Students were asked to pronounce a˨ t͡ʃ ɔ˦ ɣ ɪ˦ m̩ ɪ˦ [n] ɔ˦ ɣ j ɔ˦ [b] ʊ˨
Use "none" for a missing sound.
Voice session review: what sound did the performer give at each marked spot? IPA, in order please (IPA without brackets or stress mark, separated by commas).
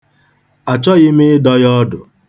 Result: d, d